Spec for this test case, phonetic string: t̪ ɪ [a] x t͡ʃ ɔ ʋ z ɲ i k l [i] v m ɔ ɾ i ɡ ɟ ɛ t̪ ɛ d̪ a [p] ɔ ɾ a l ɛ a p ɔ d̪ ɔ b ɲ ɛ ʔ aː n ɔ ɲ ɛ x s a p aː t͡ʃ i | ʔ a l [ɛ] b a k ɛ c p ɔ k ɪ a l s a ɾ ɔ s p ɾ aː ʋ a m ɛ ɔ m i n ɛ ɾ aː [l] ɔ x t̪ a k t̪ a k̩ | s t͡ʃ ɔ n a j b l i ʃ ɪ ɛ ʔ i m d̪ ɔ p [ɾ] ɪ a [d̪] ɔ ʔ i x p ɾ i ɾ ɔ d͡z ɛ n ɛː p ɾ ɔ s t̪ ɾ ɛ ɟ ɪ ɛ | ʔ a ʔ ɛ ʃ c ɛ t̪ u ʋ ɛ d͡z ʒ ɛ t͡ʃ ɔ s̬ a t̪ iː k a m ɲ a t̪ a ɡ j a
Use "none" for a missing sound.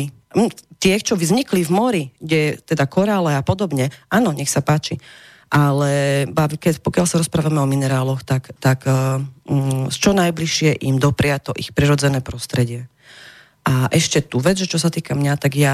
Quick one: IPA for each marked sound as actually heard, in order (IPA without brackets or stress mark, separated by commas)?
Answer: ɛ, i, k, ɛ, l, ɾ, t̪